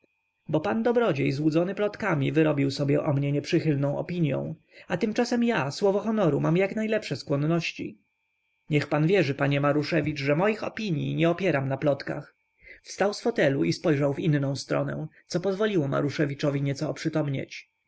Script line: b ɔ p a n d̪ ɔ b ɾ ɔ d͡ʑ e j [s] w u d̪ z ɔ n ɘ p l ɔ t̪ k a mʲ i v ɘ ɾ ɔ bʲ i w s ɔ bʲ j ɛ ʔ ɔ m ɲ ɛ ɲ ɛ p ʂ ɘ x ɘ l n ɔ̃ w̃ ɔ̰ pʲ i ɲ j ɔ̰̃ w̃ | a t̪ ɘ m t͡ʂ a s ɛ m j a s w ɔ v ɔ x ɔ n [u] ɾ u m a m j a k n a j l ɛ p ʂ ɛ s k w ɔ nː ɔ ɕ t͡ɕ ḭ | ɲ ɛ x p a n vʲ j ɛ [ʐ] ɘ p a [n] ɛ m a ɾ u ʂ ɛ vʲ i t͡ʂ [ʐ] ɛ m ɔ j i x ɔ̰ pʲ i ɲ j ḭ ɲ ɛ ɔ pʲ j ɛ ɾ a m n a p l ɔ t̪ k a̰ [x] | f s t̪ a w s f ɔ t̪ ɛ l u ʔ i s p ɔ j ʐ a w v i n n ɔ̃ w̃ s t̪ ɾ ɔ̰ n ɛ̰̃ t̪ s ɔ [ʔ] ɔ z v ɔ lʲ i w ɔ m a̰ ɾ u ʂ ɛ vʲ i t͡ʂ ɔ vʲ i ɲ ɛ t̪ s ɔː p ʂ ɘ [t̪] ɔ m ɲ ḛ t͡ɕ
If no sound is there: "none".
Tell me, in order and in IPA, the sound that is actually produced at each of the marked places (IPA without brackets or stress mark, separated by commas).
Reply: z, ɔ, ʐ, ɲ, ʐ, x, p, t̪